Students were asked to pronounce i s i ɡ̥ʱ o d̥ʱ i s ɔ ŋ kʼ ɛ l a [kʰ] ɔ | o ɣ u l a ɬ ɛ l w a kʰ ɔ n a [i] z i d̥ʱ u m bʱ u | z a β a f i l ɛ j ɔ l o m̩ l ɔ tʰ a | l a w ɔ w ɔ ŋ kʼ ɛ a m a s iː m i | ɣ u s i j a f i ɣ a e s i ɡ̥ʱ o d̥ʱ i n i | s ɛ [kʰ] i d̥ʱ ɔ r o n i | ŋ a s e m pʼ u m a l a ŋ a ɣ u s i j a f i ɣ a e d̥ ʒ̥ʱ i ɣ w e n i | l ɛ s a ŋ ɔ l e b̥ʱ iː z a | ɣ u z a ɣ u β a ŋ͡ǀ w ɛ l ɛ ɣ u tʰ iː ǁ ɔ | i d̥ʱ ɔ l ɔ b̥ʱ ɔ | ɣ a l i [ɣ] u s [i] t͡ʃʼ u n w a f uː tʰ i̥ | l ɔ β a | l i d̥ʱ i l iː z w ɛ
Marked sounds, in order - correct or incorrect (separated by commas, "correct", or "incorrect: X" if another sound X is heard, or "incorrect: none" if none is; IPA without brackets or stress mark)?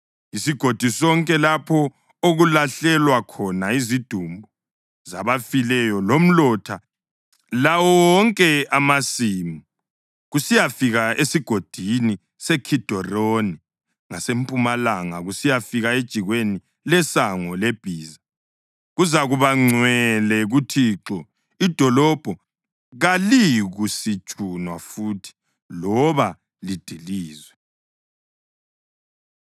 incorrect: pʰ, correct, correct, correct, correct